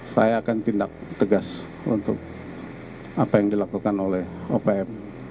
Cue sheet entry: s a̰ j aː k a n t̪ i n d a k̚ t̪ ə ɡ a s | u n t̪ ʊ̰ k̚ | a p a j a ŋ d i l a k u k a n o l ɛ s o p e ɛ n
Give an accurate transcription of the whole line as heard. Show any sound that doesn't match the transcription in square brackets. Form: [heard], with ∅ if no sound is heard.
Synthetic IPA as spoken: s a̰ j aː k a n t̪ i n d a k̚ t̪ ə ɡ a s | u n t̪ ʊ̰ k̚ | a p a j a ŋ d i l a k u k a n o l ɛ [h] o p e ɛ [m]